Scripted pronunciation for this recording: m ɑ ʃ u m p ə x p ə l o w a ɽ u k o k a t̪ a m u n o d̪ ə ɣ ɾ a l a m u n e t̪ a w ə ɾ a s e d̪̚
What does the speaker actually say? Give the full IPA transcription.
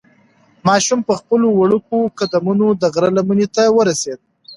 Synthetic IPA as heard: m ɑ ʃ u m p ə x p ə l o w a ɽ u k o k a d̪ a m u n o d̪ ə ɣ ɾ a l a m u n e t̪ a w ə ɾ a s e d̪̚